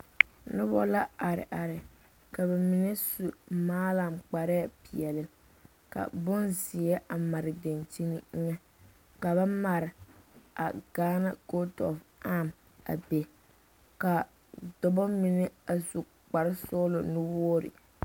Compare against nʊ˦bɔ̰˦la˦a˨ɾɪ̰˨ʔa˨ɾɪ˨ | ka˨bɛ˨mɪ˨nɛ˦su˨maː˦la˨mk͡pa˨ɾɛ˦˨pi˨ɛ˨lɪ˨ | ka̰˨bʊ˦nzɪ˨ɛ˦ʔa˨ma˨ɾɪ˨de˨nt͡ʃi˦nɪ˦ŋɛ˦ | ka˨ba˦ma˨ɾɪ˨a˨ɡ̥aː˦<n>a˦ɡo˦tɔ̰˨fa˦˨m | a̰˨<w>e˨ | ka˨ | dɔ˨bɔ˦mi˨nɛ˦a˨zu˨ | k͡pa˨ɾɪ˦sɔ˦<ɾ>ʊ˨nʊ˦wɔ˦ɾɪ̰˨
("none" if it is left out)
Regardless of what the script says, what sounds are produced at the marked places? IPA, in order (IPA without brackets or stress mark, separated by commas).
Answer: n, b, l